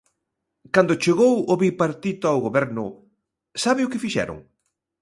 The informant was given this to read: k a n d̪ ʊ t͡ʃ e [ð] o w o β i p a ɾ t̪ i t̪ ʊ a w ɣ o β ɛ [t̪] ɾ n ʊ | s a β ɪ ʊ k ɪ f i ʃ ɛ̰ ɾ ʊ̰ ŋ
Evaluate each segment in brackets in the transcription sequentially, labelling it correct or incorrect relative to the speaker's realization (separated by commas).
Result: incorrect, incorrect